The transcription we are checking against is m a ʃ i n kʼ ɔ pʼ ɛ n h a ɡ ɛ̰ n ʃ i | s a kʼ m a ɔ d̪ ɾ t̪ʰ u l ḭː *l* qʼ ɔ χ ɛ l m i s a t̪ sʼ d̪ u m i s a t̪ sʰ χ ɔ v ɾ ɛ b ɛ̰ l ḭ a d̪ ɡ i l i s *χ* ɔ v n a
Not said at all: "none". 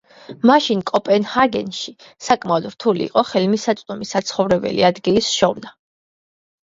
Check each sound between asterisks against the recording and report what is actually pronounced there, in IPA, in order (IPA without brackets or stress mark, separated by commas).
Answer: none, ʃ